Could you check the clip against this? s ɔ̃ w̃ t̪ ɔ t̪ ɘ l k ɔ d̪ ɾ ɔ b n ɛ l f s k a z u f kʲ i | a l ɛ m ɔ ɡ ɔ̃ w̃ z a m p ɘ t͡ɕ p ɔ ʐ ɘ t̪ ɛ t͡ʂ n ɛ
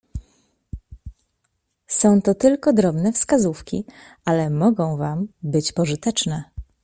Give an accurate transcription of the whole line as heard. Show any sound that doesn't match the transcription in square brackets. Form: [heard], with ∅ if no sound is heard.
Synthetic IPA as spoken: s ɔ̃ w̃ t̪ ɔ t̪ ɘ l k ɔ d̪ ɾ ɔ b n ɛ [∅] f s k a z u f kʲ i | a l ɛ m ɔ ɡ ɔ̃ w̃ [v] a m [b] ɘ t͡ɕ p ɔ ʐ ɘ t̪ ɛ t͡ʂ n ɛ

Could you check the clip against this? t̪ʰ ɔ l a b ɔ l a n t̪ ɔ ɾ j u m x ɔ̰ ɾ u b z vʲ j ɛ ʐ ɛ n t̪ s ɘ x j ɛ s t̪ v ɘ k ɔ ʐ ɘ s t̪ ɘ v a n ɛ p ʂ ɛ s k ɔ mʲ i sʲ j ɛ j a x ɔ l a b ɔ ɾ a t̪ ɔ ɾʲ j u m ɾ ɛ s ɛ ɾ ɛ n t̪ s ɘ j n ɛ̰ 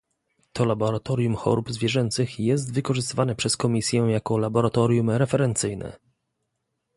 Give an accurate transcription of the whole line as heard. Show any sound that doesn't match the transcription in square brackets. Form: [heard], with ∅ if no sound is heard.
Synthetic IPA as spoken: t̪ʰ ɔ l a b ɔ [ɾ] a [∅] t̪ ɔ ɾ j u m x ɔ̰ ɾ u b z vʲ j ɛ ʐ ɛ n t̪ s ɘ x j ɛ s t̪ v ɘ k ɔ ʐ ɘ s t̪ ɘ v a n ɛ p ʂ ɛ s k ɔ mʲ i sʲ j ɛ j a [k] ɔ l a b ɔ ɾ a t̪ ɔ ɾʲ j u m ɾ ɛ [f] ɛ ɾ ɛ n t̪ s ɘ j n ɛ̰

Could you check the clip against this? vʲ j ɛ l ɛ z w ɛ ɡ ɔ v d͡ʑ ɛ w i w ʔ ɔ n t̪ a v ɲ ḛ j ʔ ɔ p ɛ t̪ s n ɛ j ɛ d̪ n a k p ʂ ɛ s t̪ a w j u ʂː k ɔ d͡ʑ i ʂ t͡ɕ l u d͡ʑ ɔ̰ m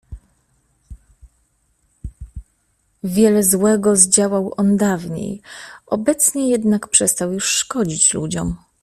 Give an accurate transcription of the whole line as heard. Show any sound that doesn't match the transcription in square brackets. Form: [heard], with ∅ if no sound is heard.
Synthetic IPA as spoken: vʲ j ɛ l ɛ z w ɛ ɡ ɔ [z] d͡ʑ [a] w [a] w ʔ ɔ n [d̪] a v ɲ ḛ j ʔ ɔ [b] ɛ t̪ s [ɲ] ɛ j ɛ d̪ n a k p ʂ ɛ s t̪ a w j u ʂː k ɔ d͡ʑ i [∅] t͡ɕ l u d͡ʑ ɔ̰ m

